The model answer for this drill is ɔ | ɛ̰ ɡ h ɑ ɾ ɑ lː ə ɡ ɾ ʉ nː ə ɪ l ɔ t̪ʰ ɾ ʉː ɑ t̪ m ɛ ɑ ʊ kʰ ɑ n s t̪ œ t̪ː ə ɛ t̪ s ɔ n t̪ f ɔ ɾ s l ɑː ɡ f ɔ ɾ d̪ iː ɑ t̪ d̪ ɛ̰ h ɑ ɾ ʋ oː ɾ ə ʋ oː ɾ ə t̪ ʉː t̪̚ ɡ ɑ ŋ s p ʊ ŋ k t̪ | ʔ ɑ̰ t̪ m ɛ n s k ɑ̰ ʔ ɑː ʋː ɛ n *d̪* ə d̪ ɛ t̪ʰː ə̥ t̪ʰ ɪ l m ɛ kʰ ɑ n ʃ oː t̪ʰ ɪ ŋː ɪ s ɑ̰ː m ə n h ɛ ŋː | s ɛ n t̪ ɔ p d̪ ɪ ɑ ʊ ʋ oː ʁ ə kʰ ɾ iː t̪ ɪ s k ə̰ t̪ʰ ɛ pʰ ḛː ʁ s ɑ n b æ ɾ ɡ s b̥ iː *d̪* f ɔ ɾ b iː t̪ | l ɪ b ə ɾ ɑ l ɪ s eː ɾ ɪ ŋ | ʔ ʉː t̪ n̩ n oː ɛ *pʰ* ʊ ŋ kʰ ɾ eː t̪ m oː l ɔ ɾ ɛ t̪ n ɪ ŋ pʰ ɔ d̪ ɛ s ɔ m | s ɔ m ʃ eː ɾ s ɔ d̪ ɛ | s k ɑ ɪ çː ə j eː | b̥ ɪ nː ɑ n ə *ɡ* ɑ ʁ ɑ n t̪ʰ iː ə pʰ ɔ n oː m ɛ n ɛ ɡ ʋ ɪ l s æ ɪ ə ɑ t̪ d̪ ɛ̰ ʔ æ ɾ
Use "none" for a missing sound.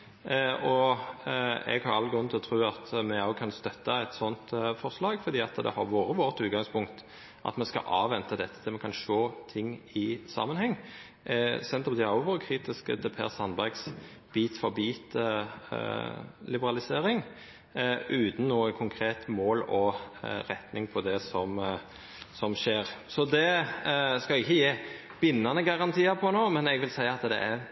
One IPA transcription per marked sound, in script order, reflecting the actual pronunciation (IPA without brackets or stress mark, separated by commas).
t̪, t̪, kʰ, ɡ